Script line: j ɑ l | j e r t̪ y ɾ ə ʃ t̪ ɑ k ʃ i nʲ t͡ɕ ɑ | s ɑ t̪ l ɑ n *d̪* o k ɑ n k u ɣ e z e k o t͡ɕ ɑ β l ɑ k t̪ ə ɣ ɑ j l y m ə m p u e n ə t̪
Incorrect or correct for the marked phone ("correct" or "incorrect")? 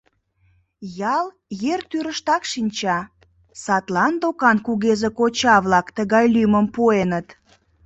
correct